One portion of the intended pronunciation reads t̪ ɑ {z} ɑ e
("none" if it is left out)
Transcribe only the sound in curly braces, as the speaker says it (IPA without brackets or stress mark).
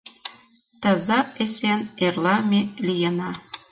z